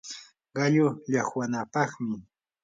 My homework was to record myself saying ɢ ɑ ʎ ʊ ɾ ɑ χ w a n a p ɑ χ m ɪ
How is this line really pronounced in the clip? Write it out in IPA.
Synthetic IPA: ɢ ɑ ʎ ʊ ʎ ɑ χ w a n a p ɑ χ m ɪ

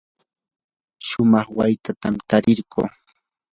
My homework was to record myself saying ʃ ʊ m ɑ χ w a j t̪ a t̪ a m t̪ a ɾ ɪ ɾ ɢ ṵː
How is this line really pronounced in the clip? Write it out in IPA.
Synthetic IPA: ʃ ʊ m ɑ χ w a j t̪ a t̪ a m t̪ a ɾ ɪ ɾ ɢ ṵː

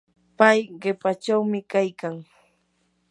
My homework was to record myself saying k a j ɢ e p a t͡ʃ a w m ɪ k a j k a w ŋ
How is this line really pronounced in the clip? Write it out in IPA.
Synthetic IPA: p a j ɢ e p a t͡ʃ a w m ɪ k a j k a ŋ

